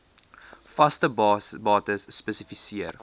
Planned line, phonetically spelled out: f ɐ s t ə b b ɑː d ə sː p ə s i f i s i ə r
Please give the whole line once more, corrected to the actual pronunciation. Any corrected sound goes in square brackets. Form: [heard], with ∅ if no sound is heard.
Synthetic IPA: f ɐ s t ə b b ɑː [t] ə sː p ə s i f i s i ə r